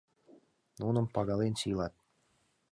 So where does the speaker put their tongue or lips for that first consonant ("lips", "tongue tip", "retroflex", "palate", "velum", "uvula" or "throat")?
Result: tongue tip